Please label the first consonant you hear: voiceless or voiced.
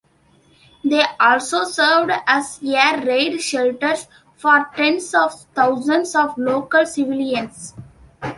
voiced